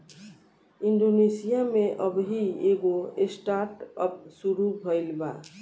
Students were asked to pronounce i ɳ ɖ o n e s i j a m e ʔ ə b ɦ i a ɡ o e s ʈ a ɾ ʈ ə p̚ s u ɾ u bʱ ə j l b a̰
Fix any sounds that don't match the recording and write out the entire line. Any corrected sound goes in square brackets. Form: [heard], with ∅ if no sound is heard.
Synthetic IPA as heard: i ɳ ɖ o n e s i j a m e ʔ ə b ɦ i [e] ɡ o e s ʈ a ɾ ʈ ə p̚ s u ɾ u bʱ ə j l b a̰